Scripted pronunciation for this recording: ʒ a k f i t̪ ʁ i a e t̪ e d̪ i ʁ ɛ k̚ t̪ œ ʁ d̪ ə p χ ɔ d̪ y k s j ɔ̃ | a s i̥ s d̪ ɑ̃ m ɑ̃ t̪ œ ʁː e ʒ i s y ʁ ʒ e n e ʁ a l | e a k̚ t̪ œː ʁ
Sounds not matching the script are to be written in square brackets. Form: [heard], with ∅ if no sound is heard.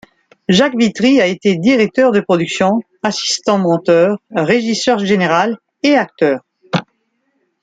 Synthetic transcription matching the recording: ʒ a k [v] i t̪ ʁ i a e t̪ e d̪ i ʁ ɛ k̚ t̪ œ ʁ d̪ ə p χ ɔ d̪ y k s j ɔ̃ | a s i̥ s [t̪] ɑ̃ m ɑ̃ t̪ œ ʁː e ʒ i s [œ] ʁ ʒ e n e ʁ a l | e a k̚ t̪ œː ʁ